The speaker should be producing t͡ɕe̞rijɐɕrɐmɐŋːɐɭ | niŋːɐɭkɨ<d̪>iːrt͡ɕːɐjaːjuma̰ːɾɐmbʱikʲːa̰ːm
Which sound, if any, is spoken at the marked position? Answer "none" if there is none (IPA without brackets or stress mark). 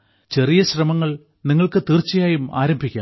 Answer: t̪